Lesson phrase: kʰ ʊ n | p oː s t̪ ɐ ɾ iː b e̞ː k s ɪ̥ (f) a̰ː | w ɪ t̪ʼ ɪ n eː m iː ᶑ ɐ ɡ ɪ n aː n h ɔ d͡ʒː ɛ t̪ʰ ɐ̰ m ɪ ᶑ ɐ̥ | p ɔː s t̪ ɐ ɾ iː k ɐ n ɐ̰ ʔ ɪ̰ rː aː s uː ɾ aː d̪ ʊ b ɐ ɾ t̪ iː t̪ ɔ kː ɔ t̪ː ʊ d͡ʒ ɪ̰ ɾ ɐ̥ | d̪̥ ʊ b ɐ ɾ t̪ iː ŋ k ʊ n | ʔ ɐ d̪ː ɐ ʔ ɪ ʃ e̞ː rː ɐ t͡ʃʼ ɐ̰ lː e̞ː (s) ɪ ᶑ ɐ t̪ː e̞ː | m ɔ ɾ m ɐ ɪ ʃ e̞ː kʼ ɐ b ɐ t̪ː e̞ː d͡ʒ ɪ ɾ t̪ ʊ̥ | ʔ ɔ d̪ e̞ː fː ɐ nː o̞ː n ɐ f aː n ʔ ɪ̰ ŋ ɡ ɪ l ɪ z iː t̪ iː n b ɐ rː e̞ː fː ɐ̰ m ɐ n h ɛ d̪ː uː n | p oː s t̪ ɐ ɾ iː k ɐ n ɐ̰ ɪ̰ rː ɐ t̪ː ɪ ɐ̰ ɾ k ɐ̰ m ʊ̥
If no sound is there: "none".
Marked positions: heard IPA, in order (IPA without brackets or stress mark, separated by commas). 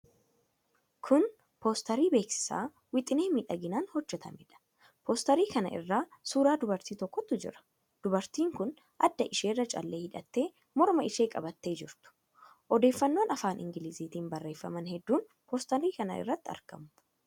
s, h